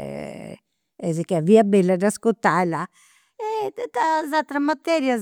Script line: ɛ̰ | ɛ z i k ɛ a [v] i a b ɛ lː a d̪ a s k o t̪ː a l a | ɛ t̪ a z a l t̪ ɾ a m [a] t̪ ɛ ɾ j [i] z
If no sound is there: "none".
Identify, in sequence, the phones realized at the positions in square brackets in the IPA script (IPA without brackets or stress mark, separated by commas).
v, a, a